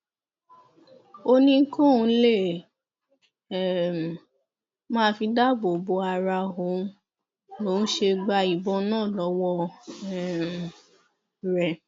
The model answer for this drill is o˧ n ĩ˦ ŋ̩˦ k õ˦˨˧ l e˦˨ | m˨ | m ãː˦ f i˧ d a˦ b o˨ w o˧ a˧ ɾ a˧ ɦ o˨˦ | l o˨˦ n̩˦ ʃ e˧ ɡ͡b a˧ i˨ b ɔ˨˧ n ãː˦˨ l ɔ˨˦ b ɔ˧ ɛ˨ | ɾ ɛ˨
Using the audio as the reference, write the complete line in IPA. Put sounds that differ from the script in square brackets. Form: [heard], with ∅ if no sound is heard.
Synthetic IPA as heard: o˧ n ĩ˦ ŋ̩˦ k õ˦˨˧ l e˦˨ | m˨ | m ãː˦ f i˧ d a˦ b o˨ [b] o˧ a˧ ɾ a˧ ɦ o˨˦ | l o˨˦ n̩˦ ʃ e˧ ɡ͡b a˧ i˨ b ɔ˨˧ n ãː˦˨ l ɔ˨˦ [w] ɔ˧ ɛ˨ | ɾ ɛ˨